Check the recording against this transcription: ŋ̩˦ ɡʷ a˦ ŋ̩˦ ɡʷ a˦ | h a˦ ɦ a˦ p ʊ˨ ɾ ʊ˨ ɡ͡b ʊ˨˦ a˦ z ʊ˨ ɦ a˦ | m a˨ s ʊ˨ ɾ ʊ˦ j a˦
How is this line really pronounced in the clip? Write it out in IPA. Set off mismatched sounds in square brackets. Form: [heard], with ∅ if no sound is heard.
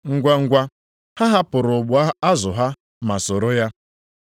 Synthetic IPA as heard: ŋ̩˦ ɡʷ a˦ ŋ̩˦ ɡʷ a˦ | h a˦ ɦ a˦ p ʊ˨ ɾ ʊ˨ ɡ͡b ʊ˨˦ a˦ z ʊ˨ ɦ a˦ | m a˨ s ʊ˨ ɾ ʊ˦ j a˦